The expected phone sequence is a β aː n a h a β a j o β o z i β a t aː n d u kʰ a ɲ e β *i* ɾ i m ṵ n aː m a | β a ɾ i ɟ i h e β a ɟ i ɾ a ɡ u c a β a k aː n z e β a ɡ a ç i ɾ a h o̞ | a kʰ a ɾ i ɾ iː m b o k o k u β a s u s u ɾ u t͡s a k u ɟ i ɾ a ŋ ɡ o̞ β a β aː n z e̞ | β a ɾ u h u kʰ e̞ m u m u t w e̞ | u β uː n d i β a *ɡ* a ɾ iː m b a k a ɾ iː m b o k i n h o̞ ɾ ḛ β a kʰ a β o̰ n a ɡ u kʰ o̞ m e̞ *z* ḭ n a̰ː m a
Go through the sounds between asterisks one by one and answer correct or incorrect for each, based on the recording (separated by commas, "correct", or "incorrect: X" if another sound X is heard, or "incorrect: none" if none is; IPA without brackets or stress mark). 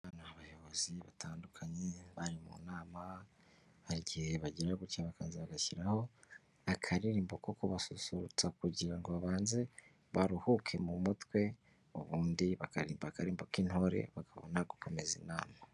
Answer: incorrect: a, incorrect: k, correct